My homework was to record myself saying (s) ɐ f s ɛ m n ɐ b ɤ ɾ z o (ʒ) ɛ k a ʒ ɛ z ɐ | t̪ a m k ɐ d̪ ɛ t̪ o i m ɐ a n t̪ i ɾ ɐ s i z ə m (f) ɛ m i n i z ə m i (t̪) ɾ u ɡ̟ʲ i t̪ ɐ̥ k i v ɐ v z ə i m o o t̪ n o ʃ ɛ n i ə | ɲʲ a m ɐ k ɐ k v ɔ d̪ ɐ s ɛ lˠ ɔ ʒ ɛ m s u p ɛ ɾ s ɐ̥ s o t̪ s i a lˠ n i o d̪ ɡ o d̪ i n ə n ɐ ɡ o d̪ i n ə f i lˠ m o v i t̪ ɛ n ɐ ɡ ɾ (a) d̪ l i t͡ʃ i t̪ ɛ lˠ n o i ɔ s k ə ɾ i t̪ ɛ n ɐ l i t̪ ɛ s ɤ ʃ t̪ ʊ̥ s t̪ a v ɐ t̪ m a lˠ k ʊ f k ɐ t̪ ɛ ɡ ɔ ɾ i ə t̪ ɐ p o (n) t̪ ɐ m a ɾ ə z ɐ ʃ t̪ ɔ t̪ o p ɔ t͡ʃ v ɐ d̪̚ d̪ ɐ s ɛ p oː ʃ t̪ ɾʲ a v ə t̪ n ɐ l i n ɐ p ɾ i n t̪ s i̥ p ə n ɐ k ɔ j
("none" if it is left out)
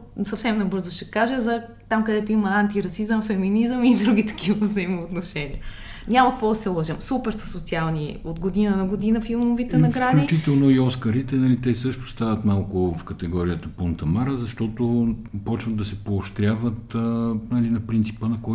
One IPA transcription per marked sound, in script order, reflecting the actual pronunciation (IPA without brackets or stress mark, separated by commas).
s, ʃ, f, d̪, a, n